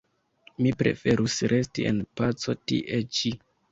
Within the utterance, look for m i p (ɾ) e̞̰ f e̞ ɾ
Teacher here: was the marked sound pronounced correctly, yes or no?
yes